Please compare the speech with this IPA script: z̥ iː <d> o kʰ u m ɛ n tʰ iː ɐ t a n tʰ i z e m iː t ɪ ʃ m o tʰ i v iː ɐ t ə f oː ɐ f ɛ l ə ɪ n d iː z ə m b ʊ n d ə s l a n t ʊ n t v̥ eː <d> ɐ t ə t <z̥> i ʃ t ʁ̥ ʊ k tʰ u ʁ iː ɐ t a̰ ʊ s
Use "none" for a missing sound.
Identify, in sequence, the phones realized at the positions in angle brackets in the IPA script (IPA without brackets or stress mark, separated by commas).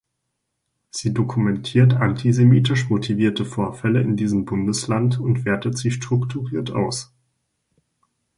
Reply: d, none, z̥